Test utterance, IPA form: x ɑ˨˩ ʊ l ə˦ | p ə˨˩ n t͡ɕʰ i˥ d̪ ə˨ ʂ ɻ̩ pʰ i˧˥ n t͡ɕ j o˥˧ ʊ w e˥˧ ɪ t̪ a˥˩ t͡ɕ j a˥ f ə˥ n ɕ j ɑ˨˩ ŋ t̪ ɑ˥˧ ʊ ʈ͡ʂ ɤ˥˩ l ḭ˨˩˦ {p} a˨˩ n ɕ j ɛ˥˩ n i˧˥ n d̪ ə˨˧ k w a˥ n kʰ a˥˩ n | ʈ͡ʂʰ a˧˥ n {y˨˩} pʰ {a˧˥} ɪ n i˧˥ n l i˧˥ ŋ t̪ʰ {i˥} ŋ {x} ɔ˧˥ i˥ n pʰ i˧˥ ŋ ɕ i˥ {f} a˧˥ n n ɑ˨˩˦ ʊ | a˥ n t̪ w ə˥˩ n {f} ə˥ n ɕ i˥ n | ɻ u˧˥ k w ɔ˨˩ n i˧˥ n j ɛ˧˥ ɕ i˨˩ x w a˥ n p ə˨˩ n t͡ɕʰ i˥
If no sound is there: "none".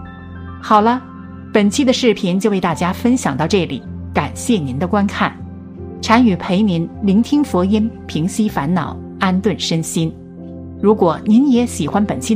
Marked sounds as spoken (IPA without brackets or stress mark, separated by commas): k, y˨˩, e˧˥, i˥, f, f, ʂ